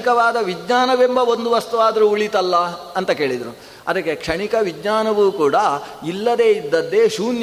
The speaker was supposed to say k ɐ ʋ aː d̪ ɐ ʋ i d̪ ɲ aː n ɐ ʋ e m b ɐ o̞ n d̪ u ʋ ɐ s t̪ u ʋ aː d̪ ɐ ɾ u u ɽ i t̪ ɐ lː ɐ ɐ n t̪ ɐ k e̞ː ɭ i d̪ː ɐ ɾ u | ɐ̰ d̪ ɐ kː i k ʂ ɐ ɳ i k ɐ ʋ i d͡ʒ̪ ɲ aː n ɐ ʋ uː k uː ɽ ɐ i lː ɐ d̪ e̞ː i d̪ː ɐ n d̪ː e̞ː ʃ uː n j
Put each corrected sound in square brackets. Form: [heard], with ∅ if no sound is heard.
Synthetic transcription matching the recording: k ɐ ʋ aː d̪ ɐ ʋ i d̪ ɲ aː n ɐ ʋ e m b ɐ o̞ n d̪ u ʋ ɐ s t̪ u ʋ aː d̪ ɐ ɾ u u [ɭ] i t̪ ɐ lː ɐ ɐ n t̪ ɐ k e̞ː ɭ i [d̪] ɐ ɾ u | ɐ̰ d̪ ɐ kː [e] k ʂ ɐ ɳ i k ɐ ʋ i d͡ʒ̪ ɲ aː n ɐ ʋ uː k uː ɽ ɐ i lː ɐ d̪ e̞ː i d̪ː ɐ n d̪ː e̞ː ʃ uː n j